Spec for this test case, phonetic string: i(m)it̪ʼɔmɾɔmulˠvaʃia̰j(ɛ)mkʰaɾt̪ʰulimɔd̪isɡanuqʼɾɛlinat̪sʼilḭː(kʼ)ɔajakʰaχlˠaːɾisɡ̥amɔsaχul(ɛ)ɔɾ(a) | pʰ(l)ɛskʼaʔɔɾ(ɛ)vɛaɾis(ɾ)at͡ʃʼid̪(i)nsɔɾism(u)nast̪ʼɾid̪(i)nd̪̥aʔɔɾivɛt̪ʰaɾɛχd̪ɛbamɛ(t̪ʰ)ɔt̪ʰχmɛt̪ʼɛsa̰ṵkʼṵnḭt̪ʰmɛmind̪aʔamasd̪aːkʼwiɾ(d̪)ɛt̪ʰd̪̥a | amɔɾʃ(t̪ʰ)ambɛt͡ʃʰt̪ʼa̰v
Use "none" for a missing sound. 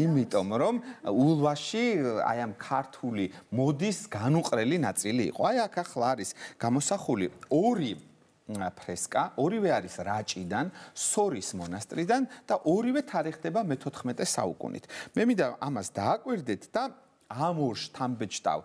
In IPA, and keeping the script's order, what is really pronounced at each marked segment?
m, a, qʼ, i, i, ɾ, i, ɾ, a, ɔ, a, t̪ʰ, d̪, t̪ʰ

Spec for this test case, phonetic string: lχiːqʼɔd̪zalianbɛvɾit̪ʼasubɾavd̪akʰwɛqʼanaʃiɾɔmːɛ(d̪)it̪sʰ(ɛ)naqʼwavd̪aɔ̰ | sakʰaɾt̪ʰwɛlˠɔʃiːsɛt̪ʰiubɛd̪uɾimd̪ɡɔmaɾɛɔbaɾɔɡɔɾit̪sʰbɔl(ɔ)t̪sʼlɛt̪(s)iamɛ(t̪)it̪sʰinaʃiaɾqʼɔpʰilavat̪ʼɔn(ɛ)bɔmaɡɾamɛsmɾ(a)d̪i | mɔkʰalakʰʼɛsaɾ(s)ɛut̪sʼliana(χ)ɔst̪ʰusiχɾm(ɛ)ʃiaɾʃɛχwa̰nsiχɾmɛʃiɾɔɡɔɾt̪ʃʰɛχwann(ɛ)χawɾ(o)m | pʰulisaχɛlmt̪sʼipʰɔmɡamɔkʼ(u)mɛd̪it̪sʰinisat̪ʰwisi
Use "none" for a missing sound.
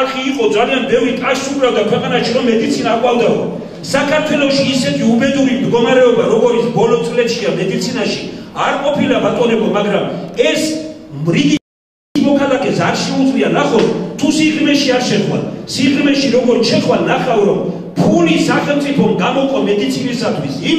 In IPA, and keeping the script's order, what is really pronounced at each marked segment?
d̪, i, ɔ, ʃ, d̪, ɛ, i, ʃ, χ, ɛ, a, ɔ, ɔ

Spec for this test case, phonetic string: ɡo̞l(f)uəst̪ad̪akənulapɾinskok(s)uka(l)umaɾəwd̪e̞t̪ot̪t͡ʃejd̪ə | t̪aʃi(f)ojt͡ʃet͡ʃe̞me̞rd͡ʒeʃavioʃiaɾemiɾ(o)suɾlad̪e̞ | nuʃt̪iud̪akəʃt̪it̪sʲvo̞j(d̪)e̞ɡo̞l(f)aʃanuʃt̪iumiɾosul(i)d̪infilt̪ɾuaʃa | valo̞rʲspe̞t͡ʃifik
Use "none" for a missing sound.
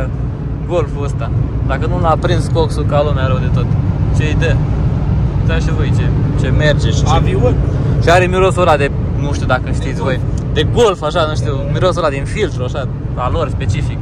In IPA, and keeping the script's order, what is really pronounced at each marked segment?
f, s, l, v, o, d̪, f, a

